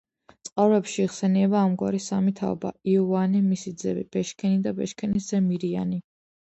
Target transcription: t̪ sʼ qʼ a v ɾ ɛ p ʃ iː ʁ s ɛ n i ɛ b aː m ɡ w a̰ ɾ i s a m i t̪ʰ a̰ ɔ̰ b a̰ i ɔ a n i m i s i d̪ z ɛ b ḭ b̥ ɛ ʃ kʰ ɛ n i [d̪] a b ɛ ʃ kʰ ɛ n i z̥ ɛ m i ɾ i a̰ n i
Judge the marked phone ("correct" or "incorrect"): correct